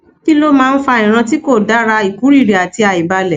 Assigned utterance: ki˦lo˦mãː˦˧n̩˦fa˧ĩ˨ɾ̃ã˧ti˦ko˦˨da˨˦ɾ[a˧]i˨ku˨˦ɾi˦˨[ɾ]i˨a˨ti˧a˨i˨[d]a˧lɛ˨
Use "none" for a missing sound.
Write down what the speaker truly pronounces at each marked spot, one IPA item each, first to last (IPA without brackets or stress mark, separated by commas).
a˧, ɾ, b